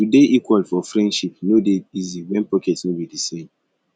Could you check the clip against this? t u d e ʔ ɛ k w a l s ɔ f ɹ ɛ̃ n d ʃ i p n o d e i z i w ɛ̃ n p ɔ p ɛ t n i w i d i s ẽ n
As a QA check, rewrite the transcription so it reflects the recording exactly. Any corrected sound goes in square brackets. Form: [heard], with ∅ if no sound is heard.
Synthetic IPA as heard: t u d e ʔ [i] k w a l [f] ɔ f ɹ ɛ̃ n d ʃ i p n o d e i z i w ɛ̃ n p ɔ [k] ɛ t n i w i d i s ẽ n